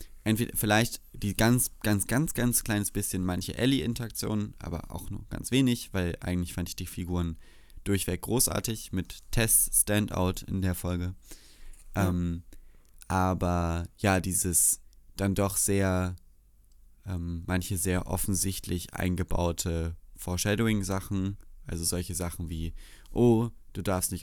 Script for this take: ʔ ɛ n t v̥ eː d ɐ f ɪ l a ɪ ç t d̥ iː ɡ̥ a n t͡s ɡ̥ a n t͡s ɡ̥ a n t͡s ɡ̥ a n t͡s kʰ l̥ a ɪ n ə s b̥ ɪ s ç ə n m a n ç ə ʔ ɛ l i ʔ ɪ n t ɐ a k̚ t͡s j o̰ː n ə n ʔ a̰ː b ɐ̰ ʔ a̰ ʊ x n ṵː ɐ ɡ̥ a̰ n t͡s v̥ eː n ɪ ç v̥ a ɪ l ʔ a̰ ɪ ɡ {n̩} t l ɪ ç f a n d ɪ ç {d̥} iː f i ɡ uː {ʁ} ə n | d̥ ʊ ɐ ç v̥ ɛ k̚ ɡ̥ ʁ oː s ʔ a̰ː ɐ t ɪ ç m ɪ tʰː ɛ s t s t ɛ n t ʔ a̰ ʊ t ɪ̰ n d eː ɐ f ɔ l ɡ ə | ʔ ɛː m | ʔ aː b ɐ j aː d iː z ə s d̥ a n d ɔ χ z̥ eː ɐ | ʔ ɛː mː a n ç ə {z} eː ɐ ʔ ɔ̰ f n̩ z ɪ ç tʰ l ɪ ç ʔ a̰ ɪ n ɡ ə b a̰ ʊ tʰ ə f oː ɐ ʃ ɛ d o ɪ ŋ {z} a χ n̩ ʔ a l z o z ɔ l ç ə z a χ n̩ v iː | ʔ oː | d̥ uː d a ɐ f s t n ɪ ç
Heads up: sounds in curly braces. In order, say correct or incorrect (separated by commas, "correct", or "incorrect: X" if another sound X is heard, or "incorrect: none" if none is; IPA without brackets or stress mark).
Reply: incorrect: ŋ̩, correct, correct, correct, correct